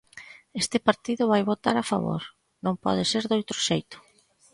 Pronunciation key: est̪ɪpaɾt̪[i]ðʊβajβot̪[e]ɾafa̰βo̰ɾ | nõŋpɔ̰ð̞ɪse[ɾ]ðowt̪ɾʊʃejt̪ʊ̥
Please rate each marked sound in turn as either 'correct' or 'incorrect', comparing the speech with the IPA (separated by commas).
correct, incorrect, correct